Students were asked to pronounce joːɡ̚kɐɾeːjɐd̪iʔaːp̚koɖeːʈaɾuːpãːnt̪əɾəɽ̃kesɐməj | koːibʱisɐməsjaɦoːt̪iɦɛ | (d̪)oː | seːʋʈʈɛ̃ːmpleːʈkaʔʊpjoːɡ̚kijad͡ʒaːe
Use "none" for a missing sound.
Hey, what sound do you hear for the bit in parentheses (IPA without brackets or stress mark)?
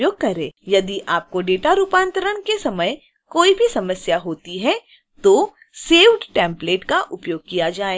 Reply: t̪